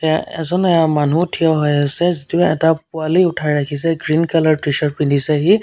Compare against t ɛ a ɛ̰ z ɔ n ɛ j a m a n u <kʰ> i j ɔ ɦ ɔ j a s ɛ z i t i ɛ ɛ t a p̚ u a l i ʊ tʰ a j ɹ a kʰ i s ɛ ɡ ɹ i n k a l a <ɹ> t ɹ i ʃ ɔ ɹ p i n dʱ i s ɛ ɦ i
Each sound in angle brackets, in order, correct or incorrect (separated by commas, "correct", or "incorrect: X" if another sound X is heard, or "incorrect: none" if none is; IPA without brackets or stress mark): incorrect: tʰ, correct